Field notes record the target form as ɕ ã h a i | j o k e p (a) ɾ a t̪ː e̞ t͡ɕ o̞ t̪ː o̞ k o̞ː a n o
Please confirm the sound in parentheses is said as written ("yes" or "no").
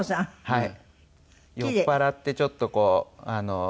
yes